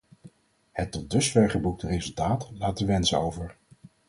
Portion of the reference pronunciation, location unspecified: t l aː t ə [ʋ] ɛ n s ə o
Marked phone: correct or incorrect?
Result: correct